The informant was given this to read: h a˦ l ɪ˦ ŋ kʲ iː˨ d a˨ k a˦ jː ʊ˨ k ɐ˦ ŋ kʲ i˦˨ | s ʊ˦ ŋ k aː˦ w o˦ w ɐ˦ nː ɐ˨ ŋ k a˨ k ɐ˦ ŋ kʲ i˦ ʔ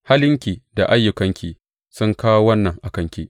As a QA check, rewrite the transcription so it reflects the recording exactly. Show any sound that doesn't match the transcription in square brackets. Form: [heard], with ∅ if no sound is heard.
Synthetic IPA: h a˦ l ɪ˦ ŋ kʲ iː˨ d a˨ [ʔ] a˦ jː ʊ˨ k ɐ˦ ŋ kʲ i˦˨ | s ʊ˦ ŋ k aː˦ w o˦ w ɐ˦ nː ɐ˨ ŋ [ʔ] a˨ k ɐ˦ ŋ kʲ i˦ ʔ